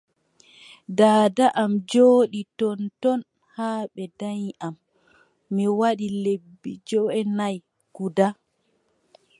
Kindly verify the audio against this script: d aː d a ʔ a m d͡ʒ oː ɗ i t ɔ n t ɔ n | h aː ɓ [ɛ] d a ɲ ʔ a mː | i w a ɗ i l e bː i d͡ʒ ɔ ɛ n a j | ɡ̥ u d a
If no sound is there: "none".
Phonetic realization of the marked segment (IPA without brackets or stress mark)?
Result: ɛ